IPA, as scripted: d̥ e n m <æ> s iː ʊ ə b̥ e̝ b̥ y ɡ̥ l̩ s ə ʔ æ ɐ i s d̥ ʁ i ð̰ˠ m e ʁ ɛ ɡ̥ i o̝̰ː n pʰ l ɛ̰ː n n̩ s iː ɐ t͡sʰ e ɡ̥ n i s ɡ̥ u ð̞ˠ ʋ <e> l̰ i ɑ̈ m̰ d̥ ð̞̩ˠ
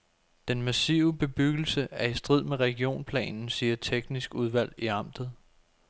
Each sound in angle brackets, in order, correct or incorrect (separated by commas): correct, incorrect